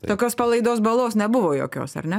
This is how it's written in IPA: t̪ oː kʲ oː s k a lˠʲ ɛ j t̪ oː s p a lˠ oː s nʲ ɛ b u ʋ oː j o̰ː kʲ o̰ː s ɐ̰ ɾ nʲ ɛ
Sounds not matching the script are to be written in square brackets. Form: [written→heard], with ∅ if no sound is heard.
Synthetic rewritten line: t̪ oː kʲ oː s [k→p] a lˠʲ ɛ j [t̪→d̪] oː s [p→b] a lˠ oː s nʲ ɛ b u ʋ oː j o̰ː kʲ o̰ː s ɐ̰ ɾ nʲ ɛ